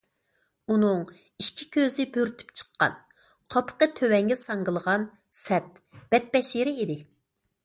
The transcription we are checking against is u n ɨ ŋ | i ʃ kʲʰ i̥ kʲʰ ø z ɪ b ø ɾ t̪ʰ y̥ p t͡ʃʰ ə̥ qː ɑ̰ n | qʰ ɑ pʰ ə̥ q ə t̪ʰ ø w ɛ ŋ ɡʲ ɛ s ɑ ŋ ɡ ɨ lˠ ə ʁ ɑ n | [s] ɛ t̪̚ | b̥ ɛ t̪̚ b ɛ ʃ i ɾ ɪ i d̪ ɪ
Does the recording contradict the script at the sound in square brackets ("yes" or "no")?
no